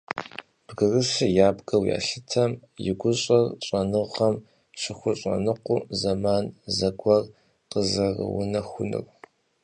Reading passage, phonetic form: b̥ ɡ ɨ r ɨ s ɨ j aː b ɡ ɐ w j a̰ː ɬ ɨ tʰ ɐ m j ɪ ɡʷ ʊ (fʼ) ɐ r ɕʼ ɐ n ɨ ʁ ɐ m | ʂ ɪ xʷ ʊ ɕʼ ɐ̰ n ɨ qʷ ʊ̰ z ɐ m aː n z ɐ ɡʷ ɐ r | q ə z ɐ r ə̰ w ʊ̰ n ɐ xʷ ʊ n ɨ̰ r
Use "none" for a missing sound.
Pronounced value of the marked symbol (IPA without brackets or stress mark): ɕʼ